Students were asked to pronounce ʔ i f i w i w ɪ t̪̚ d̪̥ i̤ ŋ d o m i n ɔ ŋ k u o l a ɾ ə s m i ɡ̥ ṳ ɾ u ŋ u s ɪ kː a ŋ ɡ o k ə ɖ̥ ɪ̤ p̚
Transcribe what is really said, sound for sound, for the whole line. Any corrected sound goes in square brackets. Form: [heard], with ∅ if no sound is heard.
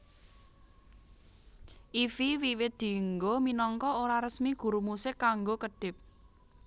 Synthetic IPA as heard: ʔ i f i w i w ɪ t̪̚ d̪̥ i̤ ŋ [ɡ] o m i n ɔ ŋ k [ɔ] o [ɾ] a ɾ ə s m i ɡ̥ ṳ ɾ u [m] u s ɪ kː a ŋ ɡ o k ə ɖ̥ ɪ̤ p̚